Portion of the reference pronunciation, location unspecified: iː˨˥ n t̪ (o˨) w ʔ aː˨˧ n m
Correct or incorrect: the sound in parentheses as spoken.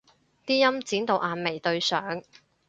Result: correct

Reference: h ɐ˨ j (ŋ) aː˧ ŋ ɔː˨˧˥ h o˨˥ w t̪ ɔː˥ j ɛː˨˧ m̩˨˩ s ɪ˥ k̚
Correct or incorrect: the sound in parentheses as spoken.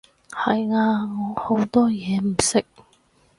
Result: correct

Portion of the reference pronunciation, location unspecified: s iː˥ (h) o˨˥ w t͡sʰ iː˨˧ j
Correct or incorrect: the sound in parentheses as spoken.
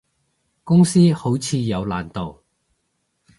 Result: correct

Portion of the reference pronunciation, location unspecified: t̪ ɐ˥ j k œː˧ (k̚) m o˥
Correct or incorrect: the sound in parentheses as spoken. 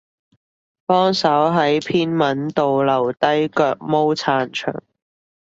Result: correct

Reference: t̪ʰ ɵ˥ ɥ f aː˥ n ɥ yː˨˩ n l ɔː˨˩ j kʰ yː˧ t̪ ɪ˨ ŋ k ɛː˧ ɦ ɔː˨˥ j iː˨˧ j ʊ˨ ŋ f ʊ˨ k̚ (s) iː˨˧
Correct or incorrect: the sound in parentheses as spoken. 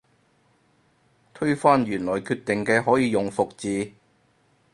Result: incorrect: t͡s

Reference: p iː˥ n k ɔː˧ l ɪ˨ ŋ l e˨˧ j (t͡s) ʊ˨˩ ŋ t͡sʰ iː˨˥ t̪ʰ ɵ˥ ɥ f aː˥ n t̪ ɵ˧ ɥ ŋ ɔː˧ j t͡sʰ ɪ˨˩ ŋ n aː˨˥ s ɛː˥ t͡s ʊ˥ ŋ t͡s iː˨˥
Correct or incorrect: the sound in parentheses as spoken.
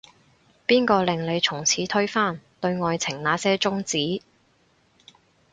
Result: incorrect: t͡sʰ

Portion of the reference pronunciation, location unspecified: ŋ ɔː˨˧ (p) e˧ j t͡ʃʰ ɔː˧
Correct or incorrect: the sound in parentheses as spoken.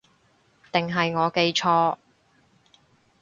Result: incorrect: k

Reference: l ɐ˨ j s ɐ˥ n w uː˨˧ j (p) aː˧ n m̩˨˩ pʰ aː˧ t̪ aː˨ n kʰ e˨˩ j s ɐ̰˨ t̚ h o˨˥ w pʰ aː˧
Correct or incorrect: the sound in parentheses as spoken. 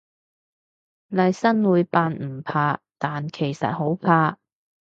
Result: correct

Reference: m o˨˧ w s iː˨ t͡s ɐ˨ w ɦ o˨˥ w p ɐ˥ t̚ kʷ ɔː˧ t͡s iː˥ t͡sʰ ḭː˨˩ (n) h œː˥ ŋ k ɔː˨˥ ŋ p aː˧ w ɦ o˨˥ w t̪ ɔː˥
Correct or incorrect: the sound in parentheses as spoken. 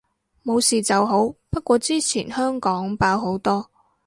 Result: correct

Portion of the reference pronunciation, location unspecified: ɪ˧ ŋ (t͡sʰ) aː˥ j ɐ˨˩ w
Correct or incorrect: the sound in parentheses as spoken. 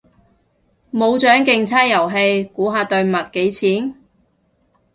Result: correct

